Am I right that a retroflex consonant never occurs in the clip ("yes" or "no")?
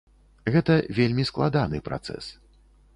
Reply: yes